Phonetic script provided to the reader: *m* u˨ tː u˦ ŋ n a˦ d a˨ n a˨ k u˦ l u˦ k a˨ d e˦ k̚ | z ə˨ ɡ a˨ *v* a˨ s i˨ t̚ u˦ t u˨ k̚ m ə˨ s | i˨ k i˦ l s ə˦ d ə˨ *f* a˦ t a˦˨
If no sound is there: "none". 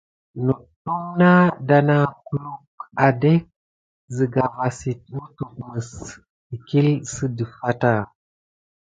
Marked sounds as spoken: n, v, f

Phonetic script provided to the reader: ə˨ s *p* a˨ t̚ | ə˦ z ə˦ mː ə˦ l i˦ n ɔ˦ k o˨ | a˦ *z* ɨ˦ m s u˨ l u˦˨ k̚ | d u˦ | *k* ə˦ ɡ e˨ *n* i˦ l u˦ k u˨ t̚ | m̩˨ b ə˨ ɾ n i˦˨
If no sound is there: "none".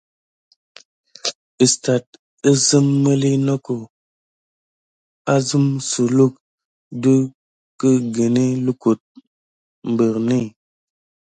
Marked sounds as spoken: t, z, k, n

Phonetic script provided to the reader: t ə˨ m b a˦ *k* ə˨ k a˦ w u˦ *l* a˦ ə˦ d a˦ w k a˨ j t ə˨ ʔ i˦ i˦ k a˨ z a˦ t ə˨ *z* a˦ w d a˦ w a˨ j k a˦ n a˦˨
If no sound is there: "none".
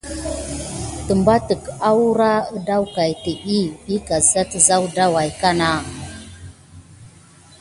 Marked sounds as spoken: t, ɾ, z

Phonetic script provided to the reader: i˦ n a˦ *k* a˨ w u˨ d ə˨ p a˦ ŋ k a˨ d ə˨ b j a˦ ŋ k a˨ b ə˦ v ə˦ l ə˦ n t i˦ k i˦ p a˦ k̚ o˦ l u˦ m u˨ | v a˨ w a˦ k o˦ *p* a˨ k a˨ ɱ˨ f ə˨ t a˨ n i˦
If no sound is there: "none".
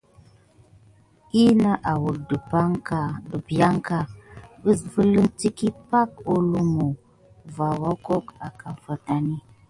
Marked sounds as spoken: ʔ, k

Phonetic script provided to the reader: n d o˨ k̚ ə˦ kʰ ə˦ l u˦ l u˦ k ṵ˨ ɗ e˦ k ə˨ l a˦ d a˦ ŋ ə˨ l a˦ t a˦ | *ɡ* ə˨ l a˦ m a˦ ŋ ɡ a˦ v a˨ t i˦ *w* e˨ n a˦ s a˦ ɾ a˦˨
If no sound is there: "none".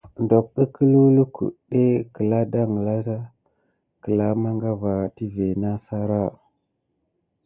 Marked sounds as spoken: k, v

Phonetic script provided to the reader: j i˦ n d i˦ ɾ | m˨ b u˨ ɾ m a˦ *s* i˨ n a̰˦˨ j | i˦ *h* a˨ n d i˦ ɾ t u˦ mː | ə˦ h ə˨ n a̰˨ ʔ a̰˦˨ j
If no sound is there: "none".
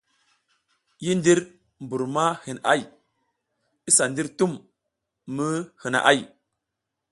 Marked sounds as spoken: h, s

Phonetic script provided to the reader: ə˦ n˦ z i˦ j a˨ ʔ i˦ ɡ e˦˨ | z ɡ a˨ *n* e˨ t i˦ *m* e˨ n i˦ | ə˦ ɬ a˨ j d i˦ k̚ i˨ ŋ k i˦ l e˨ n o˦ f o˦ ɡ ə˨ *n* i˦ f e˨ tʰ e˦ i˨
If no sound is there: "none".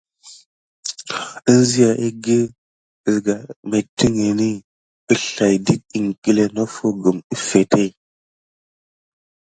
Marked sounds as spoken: m, ŋ, m

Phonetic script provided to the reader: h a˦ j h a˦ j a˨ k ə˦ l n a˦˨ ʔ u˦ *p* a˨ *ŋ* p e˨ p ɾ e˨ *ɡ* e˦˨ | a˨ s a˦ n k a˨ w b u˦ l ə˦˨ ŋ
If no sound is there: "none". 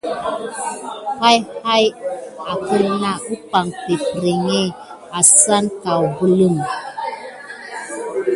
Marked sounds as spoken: p, ŋ, ŋ

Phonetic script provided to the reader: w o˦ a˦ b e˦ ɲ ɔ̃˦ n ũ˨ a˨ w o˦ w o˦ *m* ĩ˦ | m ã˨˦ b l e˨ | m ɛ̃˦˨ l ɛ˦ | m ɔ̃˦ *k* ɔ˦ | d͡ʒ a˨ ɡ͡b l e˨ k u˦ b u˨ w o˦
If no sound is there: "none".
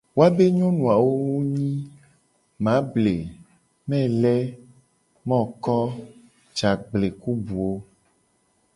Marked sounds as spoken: ɲ, k

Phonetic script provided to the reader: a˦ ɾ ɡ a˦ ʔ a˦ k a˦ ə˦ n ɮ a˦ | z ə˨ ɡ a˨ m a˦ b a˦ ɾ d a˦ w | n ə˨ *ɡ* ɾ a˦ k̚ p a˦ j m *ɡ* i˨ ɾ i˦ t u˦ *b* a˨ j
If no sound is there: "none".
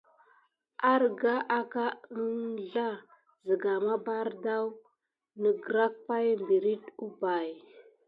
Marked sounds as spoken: ɡ, b, b

